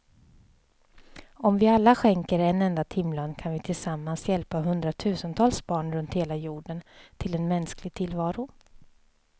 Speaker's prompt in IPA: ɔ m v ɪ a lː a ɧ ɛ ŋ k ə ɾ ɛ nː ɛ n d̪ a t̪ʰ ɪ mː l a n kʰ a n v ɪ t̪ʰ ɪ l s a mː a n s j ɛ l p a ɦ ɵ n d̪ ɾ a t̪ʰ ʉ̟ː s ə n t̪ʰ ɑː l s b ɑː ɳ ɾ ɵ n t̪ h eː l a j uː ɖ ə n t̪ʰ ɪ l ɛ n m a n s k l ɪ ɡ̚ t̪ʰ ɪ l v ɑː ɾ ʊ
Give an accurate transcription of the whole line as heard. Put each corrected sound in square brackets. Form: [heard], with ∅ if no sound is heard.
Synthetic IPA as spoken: ɔ m v ɪ a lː a ɧ ɛ ŋ k ə ɾ ɛ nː ɛ n d̪ a t̪ʰ ɪ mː l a n kʰ a n v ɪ t̪ʰ ɪ l s a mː a n s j ɛ l p a ɦ ɵ n d̪ ɾ a t̪ʰ ʉ̟ː s ə n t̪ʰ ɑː l s b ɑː ɳ ɾ ɵ n t̪ h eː l a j uː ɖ ə n t̪ʰ ɪ l ɛ n m [ɛ] n s k l ɪ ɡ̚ t̪ʰ ɪ l v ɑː ɾ ʊ